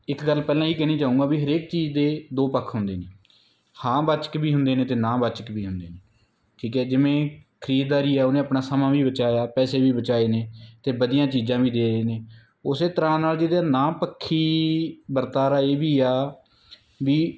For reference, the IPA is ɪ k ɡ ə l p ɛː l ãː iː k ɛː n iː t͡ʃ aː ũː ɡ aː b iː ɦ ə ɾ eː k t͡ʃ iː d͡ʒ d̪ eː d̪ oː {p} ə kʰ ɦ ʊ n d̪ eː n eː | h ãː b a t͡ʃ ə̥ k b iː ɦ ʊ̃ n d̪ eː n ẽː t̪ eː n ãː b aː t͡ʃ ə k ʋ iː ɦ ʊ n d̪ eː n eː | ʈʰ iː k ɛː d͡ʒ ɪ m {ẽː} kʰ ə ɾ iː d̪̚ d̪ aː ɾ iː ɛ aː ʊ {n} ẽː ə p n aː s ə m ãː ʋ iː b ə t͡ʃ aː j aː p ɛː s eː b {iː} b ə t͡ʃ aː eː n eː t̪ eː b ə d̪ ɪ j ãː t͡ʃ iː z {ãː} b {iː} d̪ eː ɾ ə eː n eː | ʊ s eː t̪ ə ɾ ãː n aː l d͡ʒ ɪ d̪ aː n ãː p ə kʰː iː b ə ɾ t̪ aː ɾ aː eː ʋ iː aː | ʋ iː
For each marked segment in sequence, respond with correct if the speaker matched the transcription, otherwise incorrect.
correct, correct, correct, correct, correct, correct

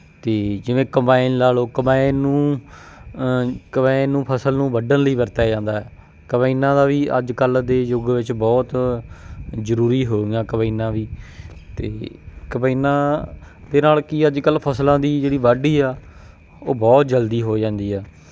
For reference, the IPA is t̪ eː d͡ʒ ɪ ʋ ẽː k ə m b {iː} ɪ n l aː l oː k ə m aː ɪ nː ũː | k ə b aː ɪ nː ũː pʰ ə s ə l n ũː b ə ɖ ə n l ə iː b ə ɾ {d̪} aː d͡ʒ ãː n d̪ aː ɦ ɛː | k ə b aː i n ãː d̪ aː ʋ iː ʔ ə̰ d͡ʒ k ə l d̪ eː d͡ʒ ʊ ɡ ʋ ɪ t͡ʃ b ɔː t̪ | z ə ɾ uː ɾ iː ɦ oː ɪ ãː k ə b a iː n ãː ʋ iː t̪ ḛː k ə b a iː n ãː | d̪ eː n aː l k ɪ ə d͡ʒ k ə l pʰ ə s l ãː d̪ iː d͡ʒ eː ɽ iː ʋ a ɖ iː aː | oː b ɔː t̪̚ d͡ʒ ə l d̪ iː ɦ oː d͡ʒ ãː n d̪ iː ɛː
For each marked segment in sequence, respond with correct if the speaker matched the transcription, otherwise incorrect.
incorrect: aː, incorrect: t̪

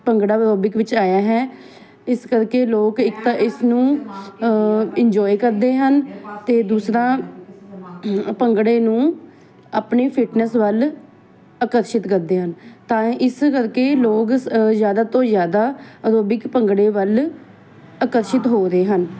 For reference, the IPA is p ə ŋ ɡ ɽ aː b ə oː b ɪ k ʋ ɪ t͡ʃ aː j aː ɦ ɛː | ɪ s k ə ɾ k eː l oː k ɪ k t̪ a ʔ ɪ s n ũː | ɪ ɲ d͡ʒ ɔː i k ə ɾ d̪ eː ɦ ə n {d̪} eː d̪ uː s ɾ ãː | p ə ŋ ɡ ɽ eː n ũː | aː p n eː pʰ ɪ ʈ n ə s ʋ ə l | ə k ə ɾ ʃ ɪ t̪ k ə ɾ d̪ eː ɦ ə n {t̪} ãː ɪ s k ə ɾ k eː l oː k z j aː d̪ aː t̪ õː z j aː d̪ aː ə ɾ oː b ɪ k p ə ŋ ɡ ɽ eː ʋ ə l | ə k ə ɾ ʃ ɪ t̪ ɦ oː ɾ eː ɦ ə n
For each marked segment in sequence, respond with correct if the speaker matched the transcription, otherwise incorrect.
incorrect: t̪, correct

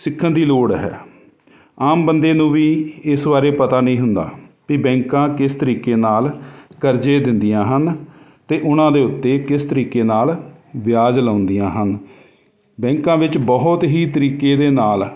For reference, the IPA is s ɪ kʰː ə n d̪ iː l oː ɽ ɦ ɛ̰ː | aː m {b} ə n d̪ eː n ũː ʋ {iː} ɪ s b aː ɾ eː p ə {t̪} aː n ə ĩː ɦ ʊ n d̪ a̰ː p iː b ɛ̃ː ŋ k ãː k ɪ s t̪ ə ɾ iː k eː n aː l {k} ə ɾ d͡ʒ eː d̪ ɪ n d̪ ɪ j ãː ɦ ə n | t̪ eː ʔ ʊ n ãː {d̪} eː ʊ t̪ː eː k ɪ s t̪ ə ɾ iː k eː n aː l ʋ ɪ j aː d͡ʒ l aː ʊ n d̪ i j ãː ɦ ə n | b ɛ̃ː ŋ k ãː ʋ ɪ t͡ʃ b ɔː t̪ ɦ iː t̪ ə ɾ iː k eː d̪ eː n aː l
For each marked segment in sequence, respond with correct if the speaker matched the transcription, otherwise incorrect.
correct, correct, correct, correct, correct

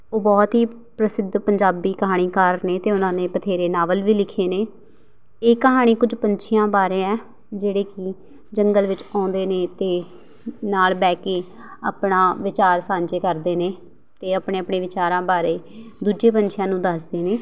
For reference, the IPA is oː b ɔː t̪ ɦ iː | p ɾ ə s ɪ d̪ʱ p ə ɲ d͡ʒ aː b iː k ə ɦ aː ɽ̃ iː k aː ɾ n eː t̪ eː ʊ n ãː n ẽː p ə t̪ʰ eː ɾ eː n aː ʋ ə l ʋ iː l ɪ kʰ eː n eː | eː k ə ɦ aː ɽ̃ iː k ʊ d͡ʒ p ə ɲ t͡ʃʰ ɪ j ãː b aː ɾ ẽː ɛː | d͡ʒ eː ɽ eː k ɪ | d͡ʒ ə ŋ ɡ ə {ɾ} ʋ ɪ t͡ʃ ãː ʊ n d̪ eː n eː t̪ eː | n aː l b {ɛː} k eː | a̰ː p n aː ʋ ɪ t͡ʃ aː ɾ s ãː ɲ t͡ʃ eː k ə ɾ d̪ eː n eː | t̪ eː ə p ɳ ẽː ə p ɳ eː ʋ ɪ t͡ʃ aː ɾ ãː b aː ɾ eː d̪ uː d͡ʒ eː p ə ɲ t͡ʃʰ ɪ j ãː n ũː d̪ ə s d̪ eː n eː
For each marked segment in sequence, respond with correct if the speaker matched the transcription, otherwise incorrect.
incorrect: l, correct

